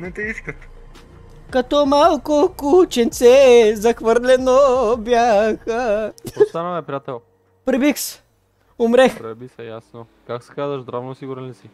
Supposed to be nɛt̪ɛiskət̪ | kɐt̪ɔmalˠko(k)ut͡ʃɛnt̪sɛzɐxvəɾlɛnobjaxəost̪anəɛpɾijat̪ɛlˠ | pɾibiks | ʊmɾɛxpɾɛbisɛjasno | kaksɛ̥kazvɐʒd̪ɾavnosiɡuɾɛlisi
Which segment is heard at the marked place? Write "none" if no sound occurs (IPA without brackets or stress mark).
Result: k